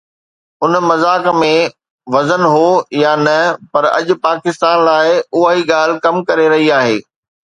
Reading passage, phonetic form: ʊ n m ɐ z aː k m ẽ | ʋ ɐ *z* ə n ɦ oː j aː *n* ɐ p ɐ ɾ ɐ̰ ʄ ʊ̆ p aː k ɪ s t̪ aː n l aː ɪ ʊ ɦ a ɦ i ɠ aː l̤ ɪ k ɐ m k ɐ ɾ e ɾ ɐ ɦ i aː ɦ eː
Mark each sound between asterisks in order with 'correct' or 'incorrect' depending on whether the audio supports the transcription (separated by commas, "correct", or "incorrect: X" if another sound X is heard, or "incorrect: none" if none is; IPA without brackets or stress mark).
correct, correct